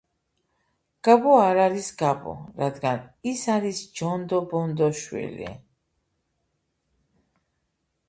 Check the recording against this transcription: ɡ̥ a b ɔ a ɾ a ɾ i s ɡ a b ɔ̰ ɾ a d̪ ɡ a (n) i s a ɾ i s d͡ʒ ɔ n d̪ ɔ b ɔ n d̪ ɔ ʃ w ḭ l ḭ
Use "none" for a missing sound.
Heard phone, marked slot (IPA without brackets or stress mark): n